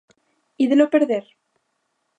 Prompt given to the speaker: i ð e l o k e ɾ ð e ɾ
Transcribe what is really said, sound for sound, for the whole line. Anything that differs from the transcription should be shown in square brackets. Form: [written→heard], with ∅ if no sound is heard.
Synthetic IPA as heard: i ð e l o [k→p] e ɾ ð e ɾ